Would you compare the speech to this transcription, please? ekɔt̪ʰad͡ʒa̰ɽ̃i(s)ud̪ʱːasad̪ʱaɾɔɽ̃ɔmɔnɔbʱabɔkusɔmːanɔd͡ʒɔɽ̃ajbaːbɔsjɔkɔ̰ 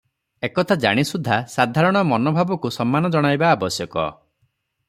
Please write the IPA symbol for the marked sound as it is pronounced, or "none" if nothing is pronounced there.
s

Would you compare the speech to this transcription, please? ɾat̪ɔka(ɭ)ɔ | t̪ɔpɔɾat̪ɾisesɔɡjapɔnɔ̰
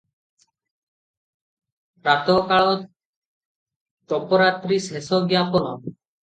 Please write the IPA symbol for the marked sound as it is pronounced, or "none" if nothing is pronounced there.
ɭ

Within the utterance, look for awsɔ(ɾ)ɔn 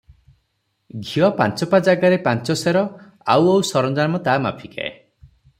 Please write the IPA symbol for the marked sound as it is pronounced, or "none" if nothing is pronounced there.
ɾ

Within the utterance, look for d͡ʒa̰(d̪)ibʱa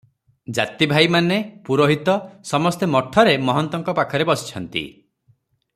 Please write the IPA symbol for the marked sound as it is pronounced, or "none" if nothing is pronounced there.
t̪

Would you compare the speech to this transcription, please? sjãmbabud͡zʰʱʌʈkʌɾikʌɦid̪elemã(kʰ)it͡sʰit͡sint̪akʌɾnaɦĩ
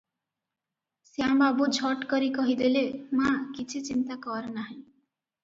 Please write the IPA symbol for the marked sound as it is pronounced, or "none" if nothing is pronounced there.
k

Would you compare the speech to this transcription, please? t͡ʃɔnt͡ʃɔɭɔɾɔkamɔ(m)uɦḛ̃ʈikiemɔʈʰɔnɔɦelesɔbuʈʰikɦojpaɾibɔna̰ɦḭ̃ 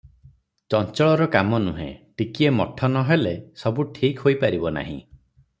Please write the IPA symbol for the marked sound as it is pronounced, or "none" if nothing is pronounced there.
n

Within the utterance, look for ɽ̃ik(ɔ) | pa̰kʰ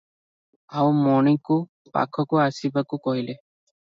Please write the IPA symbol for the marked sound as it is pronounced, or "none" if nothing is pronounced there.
u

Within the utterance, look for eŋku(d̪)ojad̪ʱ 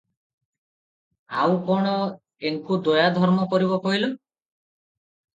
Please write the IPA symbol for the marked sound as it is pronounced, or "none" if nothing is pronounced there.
d̪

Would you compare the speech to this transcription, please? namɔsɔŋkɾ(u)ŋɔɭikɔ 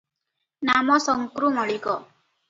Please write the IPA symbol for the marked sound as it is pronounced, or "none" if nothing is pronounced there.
u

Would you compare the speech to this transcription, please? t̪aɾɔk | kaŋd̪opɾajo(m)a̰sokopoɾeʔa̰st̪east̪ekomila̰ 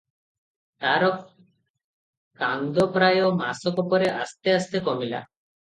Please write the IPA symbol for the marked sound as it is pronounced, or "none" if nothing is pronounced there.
m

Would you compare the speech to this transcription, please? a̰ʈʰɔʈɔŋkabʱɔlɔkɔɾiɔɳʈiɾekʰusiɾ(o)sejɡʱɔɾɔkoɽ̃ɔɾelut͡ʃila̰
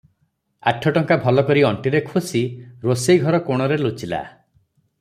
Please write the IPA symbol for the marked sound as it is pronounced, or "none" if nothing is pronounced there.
o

